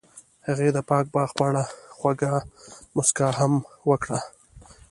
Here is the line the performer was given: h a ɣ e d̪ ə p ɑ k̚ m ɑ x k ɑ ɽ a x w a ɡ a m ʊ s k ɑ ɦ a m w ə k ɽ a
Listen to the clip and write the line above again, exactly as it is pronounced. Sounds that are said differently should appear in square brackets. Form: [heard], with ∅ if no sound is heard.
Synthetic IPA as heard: h a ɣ e d̪ ə p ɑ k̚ [b] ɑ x [p] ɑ ɽ a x w a ɡ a m ʊ s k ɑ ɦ a m w ə k ɽ a